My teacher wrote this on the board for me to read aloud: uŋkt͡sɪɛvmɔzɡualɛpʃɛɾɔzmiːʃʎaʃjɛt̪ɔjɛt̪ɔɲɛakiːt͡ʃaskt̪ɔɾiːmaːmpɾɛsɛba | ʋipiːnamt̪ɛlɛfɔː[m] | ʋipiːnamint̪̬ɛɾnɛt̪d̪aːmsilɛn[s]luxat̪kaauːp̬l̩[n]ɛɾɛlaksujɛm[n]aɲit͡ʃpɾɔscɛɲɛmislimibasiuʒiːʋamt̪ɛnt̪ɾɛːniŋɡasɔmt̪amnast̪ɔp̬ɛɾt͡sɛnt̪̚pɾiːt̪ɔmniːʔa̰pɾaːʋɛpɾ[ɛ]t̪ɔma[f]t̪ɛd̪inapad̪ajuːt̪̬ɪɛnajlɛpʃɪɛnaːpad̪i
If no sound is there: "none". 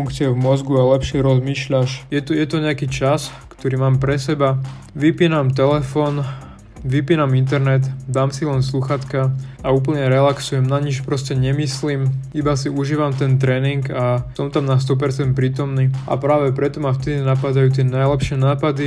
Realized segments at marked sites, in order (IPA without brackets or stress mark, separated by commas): n, s, ɲ, n, ɛ, f